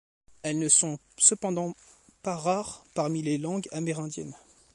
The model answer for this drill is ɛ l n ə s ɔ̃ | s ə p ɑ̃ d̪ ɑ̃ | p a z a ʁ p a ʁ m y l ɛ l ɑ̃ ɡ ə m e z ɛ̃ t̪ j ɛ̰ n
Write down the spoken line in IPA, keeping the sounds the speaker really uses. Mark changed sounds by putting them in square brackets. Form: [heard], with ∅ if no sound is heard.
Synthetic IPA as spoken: ɛ l n ə s ɔ̃ | s ə p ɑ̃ d̪ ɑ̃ | p a [ʁ] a ʁ p a ʁ m [i] l [e] l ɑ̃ ɡ [a] m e [ʁ] ɛ̃ [d̪] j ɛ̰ n